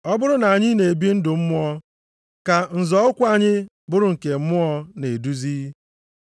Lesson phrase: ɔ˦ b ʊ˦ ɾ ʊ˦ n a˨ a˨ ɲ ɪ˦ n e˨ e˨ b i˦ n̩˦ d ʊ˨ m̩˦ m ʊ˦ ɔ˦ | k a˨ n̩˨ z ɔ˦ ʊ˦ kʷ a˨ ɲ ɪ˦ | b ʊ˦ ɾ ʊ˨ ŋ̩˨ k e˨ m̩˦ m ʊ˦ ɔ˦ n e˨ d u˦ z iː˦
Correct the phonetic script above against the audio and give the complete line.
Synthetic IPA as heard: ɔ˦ b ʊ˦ ɾ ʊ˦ n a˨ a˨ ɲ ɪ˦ n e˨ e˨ b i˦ n̩˦ d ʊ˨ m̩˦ m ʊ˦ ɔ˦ | k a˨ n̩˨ z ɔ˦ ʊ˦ kʷ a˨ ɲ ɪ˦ | b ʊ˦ ɾ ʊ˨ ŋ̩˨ k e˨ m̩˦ m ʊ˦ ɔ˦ n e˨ d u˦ z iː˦